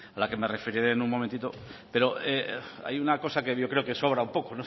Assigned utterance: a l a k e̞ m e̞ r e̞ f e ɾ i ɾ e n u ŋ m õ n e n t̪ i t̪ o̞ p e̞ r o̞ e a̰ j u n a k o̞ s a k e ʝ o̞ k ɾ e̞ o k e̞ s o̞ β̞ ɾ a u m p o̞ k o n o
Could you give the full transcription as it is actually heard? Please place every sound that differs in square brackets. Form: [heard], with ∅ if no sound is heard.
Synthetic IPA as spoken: a l a k e̞ m e̞ r e̞ f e ɾ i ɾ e n u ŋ m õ [m] e n t̪ i t̪ o̞ p e̞ [ɾ] o̞ e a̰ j u n a k o̞ s a k e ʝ o̞ k ɾ e̞ o k e̞ s o̞ β̞ ɾ a u m p o̞ k o n o